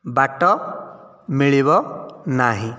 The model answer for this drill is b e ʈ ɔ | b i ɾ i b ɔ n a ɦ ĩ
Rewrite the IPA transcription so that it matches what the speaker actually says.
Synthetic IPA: b a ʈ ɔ | m i ɭ i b ɔ n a ɦ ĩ